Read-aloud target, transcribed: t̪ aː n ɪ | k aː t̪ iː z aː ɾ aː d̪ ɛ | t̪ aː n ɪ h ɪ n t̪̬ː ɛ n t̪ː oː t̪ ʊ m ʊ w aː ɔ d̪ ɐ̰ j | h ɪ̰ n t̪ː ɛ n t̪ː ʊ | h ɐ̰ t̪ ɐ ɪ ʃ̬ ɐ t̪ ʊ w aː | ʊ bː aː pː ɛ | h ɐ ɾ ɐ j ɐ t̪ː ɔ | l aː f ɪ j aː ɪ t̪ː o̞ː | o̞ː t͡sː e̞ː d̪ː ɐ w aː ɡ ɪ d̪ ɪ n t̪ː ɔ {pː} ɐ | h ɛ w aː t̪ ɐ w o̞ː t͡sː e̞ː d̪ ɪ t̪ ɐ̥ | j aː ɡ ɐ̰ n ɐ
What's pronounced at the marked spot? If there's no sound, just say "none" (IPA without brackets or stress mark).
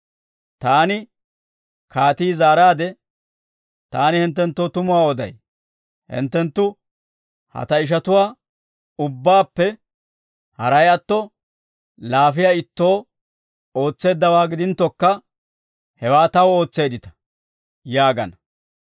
kː